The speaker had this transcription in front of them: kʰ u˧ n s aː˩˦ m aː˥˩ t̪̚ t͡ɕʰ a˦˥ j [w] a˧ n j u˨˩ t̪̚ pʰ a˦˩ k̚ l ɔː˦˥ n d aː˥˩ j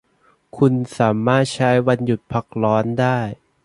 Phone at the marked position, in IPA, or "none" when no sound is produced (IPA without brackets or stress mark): w